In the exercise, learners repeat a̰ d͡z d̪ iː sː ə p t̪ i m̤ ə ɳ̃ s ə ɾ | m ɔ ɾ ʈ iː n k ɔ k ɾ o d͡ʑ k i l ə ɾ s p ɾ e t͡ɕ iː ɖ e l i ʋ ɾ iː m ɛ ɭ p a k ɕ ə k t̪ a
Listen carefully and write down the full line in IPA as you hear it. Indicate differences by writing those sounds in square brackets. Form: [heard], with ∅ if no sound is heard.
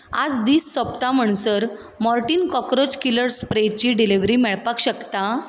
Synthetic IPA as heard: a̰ d͡z d̪ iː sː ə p t̪ [a] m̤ ə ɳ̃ s ə ɾ | m ɔ ɾ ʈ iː n k ɔ k ɾ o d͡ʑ k i l ə ɾ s p ɾ e t͡ɕ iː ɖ [i] l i ʋ ɾ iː m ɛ ɭ p a k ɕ ə k t̪ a